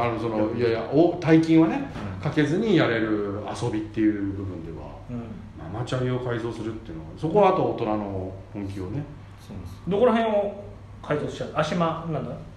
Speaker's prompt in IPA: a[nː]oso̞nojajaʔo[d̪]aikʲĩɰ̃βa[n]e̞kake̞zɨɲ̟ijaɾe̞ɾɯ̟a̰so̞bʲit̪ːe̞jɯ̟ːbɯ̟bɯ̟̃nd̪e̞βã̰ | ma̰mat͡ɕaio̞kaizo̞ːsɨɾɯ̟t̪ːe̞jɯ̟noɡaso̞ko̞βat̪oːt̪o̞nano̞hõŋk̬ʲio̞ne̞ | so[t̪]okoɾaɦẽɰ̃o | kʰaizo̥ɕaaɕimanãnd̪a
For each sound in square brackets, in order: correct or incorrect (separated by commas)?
incorrect, incorrect, correct, incorrect